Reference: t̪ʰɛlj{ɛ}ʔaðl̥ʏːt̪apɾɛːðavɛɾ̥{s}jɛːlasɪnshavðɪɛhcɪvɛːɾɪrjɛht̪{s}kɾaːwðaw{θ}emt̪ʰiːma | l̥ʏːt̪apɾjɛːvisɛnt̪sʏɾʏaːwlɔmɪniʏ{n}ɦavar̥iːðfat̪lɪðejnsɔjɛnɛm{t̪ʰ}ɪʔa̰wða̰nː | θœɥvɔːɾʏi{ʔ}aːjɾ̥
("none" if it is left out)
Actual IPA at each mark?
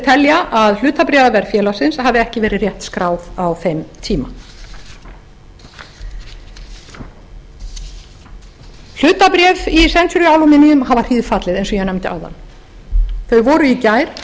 a, f, s, f, m, t̪, c

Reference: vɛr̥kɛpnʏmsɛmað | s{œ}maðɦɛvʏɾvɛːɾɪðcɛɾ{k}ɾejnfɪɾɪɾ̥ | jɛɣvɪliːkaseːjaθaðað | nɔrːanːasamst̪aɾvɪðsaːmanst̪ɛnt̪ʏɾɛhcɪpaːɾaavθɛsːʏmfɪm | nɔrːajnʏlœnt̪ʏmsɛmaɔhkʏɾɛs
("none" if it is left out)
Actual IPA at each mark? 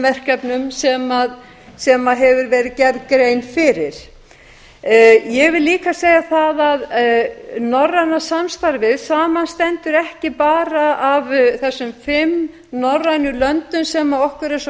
ɛ, k

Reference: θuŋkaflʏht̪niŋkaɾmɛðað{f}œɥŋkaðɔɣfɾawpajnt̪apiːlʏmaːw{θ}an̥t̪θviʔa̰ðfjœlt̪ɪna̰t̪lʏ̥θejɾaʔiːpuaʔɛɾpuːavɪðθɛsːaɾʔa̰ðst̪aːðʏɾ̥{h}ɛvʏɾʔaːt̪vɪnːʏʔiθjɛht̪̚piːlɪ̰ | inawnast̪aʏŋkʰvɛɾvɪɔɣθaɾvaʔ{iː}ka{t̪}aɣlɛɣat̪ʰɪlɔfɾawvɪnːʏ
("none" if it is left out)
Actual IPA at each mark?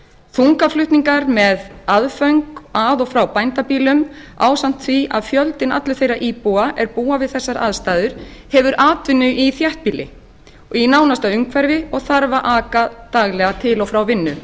f, s, h, aː, t̪

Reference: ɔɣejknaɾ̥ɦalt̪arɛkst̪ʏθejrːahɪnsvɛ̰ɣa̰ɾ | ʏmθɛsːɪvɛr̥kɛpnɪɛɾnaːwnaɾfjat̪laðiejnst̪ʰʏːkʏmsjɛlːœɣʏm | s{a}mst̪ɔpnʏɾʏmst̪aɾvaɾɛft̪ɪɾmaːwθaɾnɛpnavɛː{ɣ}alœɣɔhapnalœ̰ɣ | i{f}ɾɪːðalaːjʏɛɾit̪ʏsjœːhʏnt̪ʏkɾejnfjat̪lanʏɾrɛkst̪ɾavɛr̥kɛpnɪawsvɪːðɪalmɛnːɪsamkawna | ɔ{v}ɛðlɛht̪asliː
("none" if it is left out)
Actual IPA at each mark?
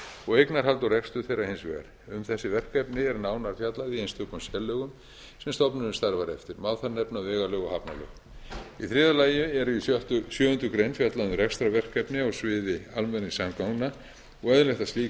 ɛ, ɣ, θ, ɣ

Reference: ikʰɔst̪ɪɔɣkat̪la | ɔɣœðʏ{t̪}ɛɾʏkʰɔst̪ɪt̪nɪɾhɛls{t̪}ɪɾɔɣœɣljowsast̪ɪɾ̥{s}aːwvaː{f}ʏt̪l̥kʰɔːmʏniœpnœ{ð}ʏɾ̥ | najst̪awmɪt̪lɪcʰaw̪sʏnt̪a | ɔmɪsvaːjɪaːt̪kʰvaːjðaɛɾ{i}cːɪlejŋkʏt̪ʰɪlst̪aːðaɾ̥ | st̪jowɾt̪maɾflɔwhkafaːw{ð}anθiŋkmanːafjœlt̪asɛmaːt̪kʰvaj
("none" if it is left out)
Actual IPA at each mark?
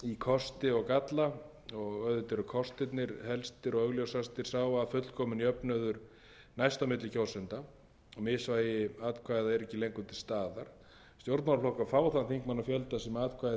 t̪, t̪, s, f, ð, ɛ, θ

